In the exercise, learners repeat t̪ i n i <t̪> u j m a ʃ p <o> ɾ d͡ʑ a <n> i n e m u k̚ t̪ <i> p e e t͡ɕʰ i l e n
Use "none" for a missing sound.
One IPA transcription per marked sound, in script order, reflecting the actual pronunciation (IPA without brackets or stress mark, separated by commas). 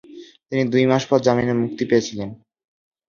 d̪, ɔ, m, i